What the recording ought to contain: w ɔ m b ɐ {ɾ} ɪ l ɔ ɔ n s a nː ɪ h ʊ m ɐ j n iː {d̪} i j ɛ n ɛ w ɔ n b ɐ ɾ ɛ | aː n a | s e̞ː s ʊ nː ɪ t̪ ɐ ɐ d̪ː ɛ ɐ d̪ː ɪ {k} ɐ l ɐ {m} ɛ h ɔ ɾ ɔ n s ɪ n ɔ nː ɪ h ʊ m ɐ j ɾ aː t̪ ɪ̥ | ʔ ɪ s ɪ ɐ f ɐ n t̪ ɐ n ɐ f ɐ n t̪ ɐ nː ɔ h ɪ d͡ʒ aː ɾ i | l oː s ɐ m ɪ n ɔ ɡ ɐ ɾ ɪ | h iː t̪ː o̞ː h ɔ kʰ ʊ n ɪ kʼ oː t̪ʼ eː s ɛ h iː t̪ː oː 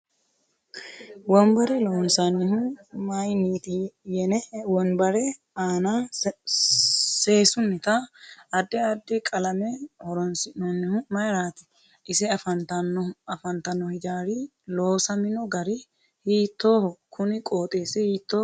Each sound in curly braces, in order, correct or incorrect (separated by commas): correct, incorrect, incorrect, correct